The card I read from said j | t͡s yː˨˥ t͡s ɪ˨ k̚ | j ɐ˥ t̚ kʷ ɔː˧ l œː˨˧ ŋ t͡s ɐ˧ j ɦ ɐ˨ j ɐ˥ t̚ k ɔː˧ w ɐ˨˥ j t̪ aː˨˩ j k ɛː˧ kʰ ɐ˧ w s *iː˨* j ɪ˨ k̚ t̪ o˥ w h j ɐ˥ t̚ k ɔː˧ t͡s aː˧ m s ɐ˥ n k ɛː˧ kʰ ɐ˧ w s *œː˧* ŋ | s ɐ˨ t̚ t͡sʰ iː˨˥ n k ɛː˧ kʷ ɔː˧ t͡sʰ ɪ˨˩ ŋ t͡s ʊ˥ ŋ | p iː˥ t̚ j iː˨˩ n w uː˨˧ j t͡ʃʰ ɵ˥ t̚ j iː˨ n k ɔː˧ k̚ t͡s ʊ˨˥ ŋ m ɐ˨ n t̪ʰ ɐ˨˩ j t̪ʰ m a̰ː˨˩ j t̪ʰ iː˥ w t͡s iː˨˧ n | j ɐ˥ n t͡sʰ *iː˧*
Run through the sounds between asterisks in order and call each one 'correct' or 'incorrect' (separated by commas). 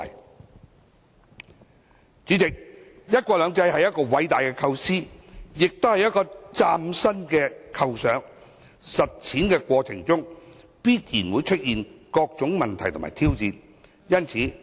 incorrect, incorrect, incorrect